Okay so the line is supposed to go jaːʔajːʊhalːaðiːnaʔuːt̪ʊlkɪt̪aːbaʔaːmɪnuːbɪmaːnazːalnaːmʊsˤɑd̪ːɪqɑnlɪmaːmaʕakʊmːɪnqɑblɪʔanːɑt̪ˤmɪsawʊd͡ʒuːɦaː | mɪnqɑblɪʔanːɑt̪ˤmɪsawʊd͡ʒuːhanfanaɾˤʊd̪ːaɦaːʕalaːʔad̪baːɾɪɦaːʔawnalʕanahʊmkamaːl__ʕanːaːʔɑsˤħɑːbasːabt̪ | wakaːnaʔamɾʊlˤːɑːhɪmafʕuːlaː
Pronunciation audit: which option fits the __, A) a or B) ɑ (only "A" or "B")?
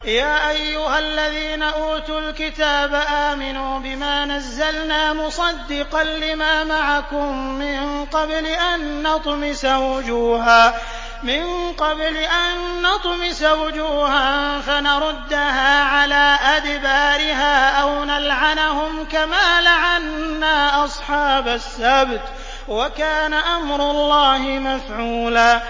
A